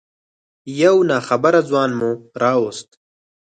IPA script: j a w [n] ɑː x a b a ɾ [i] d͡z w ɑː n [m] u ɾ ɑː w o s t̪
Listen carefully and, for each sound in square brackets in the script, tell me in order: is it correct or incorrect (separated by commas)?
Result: correct, incorrect, correct